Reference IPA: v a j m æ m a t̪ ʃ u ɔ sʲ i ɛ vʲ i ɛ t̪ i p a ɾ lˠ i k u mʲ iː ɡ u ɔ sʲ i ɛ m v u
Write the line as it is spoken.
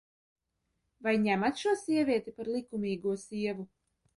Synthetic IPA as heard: v a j ɲ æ m a t̪ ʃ u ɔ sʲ i ɛ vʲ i ɛ t̪ i p a ɾ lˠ i k u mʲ iː ɡ u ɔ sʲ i ɛ v u

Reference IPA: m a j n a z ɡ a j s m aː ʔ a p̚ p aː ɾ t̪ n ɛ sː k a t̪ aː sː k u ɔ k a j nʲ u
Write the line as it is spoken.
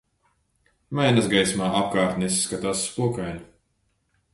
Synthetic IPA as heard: m a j n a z ɡ a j s m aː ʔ a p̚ k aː ɾ t̪ n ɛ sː k a t̪ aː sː p u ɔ k a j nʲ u

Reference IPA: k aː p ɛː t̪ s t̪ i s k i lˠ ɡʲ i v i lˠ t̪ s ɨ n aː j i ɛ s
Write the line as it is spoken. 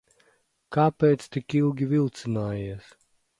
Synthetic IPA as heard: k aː p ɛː t̪ s t̪ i k i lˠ ɡʲ i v i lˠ t̪ s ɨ n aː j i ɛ s

